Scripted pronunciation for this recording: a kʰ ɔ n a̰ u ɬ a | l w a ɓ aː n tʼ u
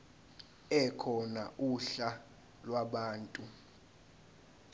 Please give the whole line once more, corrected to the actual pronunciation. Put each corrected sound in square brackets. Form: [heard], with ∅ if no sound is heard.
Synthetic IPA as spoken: [ɛ] kʰ ɔ n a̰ u ɬ a | l w a ɓ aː n tʼ u